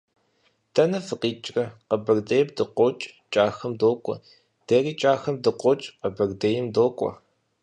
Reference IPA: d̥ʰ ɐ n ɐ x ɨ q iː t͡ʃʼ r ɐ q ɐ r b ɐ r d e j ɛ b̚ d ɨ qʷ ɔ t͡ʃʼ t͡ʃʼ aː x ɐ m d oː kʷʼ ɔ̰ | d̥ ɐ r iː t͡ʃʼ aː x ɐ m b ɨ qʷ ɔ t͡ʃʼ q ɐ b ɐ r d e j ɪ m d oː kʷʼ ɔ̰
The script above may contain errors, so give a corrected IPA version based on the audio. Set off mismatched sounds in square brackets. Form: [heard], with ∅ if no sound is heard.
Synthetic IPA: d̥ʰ ɐ n ɐ [f] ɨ q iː t͡ʃʼ r ɐ q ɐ [∅] b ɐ r d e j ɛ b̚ d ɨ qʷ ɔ t͡ʃʼ t͡ʃʼ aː x ɐ m d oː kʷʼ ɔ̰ | d̥ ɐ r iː t͡ʃʼ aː x ɐ m [d] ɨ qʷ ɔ t͡ʃʼ q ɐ b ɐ r d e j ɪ m d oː kʷʼ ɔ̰